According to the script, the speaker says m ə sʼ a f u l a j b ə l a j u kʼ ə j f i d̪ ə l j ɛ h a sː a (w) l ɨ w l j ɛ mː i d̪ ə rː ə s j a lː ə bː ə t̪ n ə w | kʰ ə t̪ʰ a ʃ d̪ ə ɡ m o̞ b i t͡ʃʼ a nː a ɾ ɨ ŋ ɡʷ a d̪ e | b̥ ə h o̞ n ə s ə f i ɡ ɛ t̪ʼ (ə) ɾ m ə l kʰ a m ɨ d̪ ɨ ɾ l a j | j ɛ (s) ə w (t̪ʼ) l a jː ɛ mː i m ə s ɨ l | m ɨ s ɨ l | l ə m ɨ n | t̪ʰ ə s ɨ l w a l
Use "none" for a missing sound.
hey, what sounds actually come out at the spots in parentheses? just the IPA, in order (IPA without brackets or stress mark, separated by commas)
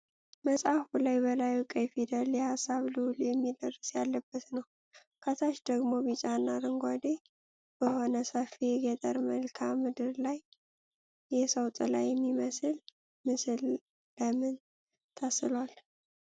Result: β, ə, s, t̪ʼ